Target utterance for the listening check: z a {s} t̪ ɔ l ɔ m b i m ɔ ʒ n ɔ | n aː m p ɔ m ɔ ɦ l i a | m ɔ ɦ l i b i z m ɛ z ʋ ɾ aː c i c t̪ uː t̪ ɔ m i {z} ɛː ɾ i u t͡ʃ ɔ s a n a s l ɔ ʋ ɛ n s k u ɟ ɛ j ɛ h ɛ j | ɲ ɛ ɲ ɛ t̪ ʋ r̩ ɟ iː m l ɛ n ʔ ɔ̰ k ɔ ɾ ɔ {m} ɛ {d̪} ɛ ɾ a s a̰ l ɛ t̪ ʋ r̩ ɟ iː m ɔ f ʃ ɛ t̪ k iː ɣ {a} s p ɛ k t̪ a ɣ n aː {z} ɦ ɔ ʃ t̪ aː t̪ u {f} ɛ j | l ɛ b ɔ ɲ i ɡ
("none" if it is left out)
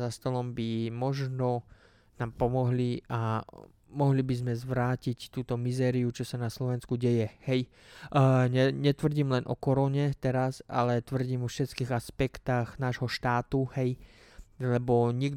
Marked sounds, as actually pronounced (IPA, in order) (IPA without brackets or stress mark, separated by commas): s, z, ɲ, t̪, a, ʒ, h